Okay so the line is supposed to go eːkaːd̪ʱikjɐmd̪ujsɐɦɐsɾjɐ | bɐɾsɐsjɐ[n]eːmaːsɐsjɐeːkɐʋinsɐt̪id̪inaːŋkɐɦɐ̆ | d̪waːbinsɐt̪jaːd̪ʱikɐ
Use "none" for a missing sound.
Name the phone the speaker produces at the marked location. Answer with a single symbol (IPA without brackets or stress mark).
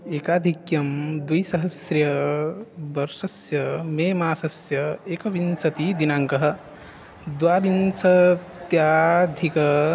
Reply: m